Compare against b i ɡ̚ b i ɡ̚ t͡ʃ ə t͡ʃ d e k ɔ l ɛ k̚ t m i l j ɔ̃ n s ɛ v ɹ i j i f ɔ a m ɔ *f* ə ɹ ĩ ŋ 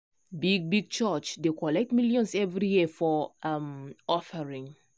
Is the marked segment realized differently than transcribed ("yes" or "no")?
no